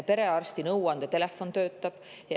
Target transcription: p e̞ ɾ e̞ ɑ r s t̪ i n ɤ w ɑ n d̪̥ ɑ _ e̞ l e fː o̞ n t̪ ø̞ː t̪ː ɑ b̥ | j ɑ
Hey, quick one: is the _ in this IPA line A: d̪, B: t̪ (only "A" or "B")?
B